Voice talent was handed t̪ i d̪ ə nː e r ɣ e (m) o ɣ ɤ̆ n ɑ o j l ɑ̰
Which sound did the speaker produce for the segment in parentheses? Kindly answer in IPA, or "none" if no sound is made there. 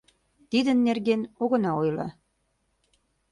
n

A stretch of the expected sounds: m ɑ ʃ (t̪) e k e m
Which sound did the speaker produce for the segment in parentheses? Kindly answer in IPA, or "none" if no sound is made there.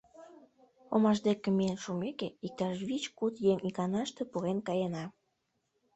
d̪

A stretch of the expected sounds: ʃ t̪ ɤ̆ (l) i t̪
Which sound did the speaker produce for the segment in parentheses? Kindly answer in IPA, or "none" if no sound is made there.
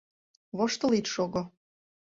l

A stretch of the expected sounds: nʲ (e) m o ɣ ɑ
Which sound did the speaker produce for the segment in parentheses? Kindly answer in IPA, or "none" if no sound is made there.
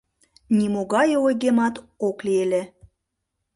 i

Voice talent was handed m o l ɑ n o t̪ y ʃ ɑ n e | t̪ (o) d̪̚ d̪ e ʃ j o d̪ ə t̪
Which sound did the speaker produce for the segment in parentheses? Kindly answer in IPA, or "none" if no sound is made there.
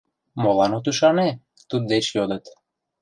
u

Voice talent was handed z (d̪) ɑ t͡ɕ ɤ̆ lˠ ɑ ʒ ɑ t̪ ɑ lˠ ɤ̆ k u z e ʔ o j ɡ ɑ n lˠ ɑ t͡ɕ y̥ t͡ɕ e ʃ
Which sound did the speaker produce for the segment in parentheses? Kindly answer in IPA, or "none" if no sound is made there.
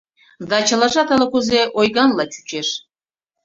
d̪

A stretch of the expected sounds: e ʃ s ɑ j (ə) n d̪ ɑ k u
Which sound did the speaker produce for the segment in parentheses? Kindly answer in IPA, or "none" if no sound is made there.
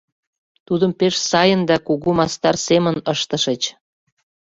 ə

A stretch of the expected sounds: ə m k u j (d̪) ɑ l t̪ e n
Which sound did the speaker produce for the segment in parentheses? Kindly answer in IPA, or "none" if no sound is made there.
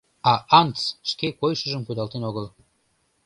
d̪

